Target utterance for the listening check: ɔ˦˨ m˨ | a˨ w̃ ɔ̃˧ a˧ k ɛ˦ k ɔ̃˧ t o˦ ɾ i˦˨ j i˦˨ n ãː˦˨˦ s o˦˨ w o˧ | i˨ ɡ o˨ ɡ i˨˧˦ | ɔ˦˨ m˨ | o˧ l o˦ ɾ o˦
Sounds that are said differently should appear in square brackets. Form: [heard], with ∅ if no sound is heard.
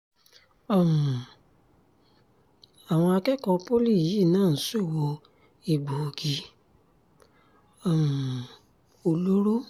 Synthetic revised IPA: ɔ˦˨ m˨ | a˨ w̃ ɔ̃˧ a˧ k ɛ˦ k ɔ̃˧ [p] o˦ [l] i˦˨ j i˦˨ n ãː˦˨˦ s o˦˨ w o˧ | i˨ [ɡ͡b] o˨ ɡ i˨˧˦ | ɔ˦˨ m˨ | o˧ l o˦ ɾ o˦

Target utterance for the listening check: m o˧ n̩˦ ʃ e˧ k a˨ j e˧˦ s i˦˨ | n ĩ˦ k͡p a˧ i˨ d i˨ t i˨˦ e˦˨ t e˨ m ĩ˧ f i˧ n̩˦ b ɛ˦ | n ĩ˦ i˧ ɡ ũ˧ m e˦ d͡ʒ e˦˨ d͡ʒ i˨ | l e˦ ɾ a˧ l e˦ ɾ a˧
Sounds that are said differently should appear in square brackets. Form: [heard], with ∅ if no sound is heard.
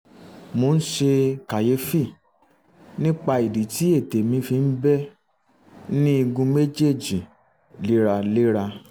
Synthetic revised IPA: m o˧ n̩˦ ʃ e˧ k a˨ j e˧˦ [f] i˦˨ | n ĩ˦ k͡p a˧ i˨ d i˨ t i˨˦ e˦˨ t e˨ m ĩ˧ f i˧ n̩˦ b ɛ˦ | n ĩ˦ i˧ ɡ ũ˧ m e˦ d͡ʒ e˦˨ d͡ʒ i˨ | l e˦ ɾ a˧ l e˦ ɾ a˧

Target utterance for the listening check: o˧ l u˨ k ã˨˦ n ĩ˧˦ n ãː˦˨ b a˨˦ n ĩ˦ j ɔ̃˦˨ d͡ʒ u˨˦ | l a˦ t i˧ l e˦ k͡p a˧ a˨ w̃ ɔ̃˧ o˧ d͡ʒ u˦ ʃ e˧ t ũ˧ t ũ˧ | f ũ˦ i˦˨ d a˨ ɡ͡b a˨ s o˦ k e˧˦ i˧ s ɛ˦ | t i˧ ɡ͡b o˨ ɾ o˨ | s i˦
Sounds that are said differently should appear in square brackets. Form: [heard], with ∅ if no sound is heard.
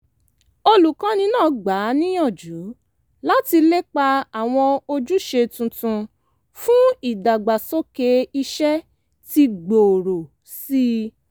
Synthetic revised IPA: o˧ l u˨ k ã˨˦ n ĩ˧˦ n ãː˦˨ [ɡ͡b] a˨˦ n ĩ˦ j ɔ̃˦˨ d͡ʒ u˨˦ | l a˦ t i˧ l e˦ k͡p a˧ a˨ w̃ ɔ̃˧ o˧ d͡ʒ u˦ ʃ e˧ t ũ˧ t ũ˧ | f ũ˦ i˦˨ d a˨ ɡ͡b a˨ s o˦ k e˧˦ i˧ [ʃ] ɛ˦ | t i˧ ɡ͡b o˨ ɾ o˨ | s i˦

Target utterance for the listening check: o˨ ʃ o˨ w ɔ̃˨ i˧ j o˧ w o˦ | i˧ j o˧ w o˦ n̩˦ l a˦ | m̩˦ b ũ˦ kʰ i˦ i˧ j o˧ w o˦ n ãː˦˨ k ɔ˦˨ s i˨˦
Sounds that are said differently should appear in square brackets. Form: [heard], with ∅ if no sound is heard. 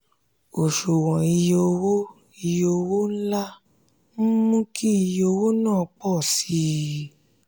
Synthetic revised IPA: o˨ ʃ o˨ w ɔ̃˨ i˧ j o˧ w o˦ | i˧ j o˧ w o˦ n̩˦ l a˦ | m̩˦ [m] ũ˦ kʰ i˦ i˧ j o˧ w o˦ n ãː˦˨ [k͡p] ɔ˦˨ s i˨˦

